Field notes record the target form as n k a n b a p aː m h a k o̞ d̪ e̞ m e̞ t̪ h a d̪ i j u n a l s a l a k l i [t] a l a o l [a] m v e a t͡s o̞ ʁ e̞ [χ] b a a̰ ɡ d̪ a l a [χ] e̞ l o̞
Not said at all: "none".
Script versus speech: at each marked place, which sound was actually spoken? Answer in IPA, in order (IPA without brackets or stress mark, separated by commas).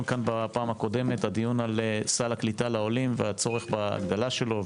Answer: t, i, χ, ʃ